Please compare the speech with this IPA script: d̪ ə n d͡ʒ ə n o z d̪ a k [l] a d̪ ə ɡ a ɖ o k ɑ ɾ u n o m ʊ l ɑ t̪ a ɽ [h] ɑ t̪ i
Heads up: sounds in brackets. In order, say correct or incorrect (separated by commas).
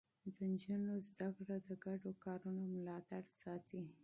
incorrect, incorrect